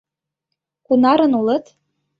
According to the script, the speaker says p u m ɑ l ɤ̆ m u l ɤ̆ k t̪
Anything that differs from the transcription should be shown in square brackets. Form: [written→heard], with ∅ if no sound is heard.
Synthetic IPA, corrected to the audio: [p→k] u [m→n] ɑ [l→ɾ] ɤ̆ [m→n] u l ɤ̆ [k→∅] t̪